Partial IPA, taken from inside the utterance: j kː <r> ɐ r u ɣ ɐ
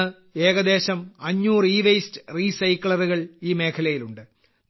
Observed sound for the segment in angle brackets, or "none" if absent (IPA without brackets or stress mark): ɭ